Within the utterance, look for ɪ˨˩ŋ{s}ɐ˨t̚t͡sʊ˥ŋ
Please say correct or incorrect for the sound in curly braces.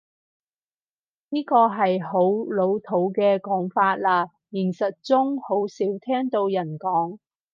correct